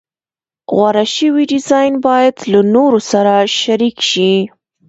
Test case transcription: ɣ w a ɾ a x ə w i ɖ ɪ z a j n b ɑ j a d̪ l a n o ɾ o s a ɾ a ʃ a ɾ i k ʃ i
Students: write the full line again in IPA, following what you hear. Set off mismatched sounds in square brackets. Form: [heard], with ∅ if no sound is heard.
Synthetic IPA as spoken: ɣ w a ɾ a [ʃ] ə w i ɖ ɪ z [ɑ] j n b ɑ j a d̪ l a n o ɾ o s a ɾ a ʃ a ɾ i k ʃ i

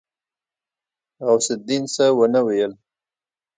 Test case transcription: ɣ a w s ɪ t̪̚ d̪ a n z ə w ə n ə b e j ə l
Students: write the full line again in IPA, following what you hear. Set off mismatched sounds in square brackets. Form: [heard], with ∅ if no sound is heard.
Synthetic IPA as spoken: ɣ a w s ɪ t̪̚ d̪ [i] n [s] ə w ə n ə [w] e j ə l

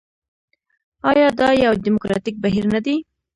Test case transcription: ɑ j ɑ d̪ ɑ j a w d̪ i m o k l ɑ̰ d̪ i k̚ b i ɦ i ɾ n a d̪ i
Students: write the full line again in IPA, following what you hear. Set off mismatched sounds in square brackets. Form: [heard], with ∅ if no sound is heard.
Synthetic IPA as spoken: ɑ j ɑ d̪ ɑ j a w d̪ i m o k [ɾ] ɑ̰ [t̪] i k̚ b [a] ɦ i ɾ n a d̪ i

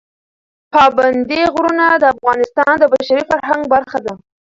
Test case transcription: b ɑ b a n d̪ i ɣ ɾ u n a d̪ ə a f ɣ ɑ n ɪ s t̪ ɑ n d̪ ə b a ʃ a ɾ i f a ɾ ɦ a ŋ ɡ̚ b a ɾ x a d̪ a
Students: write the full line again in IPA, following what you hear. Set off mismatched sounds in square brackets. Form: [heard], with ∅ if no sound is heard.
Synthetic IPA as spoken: [p] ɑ b a n d̪ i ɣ ɾ u n a d̪ ə a f ɣ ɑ n ɪ s t̪ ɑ n d̪ ə b a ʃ a ɾ i f a ɾ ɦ a ŋ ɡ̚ b a ɾ x a d̪ a

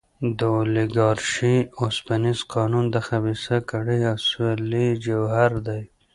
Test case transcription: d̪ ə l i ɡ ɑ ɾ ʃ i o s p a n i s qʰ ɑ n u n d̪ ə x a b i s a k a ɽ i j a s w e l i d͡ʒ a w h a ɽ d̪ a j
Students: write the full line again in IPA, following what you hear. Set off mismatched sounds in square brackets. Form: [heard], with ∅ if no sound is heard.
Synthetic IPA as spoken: d̪ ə l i ɡ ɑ ɾ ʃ i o s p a n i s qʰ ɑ n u n d̪ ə x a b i s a k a ɽ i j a s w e l i d͡ʒ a w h a [ɾ] d̪ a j

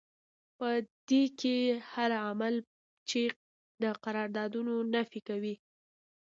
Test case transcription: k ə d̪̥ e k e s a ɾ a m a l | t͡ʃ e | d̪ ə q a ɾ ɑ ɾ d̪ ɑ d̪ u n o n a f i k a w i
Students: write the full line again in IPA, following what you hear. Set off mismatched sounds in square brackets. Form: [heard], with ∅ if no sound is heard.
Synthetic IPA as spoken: [p] ə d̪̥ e k e [h] a ɾ a m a l | t͡ʃ e | d̪ ə q a ɾ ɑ ɾ d̪ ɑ d̪ u n o n a f i k a w i

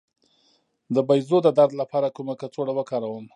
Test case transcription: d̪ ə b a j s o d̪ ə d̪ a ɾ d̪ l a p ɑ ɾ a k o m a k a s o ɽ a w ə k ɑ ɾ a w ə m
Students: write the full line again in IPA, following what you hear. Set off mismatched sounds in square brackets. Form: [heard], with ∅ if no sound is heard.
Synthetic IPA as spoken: d̪ ə b a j [z] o d̪ ə d̪ a ɾ d̪ l a p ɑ ɾ a k [u] m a k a [t͡s] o ɽ a w ə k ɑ ɾ a w ə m

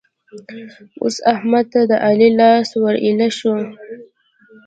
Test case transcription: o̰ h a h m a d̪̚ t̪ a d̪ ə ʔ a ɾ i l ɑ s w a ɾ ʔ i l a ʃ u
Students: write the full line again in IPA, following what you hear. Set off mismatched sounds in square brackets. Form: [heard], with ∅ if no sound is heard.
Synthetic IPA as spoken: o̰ [s] a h m a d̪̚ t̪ a d̪ ə ʔ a [l] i l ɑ s w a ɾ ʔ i l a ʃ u

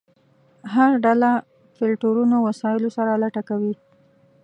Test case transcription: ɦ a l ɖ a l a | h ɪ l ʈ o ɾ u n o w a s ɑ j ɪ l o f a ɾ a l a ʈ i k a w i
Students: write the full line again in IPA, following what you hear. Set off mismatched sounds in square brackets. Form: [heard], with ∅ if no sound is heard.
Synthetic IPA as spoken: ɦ a [ɾ] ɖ a l a | [f] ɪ l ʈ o ɾ u n o w a s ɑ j ɪ l o [s] a ɾ a l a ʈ [a] k a w i

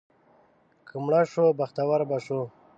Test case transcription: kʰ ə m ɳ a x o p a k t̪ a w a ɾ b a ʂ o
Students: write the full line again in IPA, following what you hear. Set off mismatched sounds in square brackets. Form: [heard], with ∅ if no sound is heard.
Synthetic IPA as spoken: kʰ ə m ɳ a [ʂ] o [b] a [x] t̪ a w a ɾ b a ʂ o

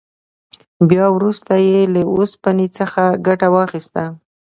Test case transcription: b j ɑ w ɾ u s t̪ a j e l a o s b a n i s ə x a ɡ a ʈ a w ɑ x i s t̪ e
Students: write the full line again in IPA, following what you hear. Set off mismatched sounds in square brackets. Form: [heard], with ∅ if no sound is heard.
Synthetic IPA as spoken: b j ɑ w ɾ u s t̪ a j e l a o s [p] a n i [t͡s] ə x a ɡ a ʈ a w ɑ x i s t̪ [a]

